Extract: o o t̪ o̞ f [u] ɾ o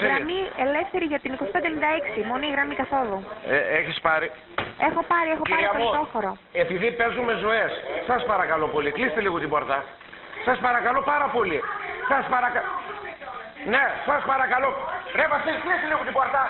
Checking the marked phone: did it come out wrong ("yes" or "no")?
yes